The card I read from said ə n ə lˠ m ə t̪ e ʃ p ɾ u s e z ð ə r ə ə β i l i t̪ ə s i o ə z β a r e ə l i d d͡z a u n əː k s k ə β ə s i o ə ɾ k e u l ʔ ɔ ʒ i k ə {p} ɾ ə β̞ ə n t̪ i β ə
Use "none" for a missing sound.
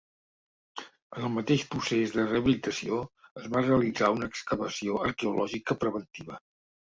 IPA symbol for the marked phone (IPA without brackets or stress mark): p